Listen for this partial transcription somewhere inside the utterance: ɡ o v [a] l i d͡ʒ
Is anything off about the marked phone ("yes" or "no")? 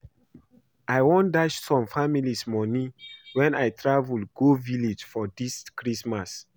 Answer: yes